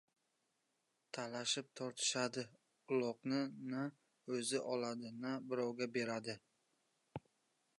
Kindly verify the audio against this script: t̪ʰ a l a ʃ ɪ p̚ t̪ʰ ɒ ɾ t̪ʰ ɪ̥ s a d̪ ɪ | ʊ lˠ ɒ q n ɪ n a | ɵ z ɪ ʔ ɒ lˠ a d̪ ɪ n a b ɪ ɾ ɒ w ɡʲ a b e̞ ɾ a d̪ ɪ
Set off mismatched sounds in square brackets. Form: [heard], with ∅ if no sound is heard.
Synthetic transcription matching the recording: t̪ʰ a l a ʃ ɪ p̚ t̪ʰ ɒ ɾ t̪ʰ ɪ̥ [ʃ] a d̪ ɪ | ʊ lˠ ɒ q n ɪ n a | ɵ z ɪ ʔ ɒ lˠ a d̪ ɪ n a b ɪ ɾ ɒ w ɡʲ a b e̞ ɾ a d̪ ɪ